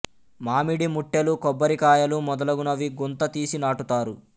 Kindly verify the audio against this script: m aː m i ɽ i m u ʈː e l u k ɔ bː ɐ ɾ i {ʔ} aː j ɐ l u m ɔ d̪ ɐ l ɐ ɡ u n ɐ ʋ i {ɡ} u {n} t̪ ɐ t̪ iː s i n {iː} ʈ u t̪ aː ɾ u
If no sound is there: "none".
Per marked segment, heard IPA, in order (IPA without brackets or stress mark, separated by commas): k, ɡ, n, aː